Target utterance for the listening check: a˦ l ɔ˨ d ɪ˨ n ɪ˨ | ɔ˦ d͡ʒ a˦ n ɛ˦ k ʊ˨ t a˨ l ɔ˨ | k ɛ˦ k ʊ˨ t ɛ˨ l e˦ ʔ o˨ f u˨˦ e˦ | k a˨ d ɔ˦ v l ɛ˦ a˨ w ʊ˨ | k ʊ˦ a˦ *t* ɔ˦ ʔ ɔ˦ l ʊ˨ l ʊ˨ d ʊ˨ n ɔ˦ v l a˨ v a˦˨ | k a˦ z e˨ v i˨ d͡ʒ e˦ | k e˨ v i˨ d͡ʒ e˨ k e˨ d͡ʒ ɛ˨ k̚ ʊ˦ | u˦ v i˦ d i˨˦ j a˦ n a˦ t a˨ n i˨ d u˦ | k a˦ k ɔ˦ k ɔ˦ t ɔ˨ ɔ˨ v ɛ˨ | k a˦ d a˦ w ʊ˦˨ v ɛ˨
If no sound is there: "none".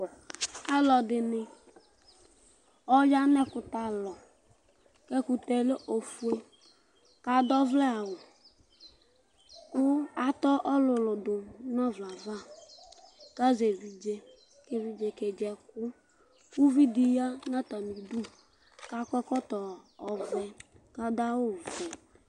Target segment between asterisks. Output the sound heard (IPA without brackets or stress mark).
t